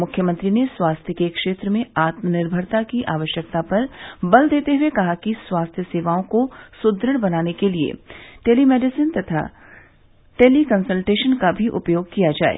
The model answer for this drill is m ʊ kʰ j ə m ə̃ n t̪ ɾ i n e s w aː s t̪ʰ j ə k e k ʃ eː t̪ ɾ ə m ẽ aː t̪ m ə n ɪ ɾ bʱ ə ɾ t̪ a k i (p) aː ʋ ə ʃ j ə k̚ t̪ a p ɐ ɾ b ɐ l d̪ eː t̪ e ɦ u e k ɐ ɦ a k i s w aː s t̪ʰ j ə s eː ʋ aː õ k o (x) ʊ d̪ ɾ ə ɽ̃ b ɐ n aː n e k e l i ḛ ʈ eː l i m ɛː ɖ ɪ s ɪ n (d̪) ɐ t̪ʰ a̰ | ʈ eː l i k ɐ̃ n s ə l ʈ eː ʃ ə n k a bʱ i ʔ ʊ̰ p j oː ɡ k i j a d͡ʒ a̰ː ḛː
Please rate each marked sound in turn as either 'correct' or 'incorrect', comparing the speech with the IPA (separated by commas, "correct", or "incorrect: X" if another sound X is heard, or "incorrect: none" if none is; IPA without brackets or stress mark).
incorrect: ʔ, incorrect: s, incorrect: t̪